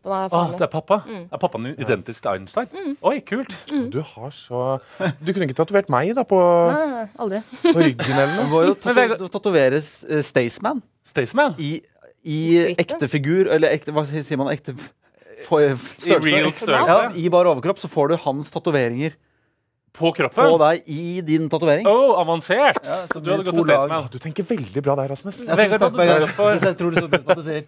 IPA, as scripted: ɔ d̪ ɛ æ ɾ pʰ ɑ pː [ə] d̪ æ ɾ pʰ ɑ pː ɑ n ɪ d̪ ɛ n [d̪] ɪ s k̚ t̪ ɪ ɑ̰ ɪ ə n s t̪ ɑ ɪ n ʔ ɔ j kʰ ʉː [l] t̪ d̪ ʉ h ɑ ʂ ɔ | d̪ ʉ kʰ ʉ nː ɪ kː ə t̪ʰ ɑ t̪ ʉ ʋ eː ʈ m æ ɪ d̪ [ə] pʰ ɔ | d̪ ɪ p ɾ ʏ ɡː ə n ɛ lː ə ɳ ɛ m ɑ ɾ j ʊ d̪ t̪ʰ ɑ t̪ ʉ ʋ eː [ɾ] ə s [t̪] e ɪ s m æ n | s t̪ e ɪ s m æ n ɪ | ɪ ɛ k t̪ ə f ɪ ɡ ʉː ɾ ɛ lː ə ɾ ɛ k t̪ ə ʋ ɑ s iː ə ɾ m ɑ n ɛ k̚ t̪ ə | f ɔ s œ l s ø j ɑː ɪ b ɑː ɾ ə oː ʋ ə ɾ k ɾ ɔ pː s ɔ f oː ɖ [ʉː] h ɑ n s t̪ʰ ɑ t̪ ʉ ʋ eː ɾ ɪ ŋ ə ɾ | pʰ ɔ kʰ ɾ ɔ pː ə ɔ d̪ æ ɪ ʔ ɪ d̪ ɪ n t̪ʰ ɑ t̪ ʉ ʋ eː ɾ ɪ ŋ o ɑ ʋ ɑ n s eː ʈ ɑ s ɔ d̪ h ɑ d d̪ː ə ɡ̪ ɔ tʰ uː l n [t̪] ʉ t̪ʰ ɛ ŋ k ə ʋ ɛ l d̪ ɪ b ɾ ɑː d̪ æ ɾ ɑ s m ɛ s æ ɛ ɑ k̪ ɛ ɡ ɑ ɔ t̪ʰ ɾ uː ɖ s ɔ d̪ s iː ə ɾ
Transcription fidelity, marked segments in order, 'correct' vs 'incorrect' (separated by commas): incorrect, incorrect, correct, incorrect, correct, correct, incorrect, incorrect